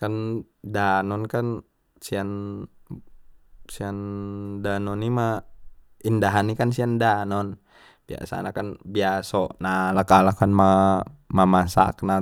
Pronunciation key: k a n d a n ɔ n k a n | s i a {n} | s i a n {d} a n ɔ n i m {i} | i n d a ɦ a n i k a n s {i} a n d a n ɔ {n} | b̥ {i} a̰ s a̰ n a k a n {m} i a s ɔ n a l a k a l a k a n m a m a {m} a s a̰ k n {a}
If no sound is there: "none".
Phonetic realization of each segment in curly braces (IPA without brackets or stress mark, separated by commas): n, d, a, i, n, i, b, m, a